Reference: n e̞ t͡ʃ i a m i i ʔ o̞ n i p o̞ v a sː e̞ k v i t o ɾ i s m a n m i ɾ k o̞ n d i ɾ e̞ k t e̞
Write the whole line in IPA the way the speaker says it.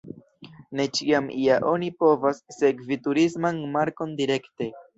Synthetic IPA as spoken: n e̞ t͡ʃ i a m i a ʔ o̞ n i p o̞ v a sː e̞ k v i t u ɾ i s m a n m a ɾ k o̞ n d i ɾ e̞ k t e̞